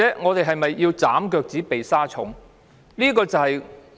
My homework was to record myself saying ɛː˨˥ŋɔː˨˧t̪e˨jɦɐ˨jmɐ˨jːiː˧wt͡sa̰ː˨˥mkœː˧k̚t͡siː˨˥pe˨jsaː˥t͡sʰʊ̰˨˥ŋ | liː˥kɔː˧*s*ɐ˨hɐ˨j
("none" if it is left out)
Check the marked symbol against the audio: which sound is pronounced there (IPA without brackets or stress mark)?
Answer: t͡s